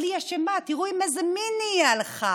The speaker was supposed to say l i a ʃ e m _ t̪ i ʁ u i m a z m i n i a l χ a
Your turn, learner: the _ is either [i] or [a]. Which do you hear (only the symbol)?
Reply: a